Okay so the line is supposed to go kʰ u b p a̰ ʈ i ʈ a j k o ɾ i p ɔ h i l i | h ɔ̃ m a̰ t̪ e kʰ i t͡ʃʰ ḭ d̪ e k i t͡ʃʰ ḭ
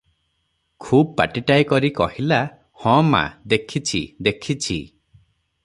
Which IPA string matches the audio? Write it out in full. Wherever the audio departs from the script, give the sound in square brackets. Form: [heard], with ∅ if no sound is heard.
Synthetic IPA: kʰ u b p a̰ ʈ i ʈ a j k [ɔ] ɾ i [k] ɔ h i l [a] | h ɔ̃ m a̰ [d̪] e kʰ i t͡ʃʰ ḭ d̪ e [kʰ] i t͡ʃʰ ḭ